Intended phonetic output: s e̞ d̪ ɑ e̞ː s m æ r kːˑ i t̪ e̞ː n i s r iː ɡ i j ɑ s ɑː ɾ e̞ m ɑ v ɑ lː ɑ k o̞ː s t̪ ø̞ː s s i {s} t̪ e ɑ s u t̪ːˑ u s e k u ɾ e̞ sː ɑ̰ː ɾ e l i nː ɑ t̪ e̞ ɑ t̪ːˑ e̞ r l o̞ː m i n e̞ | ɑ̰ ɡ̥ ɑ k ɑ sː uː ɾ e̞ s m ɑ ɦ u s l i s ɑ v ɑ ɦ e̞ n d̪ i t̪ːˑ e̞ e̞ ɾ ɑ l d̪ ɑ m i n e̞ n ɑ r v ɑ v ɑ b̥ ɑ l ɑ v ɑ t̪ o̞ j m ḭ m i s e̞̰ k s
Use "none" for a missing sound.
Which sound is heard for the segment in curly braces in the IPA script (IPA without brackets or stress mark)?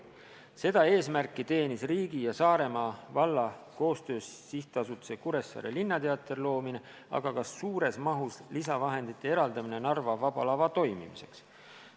h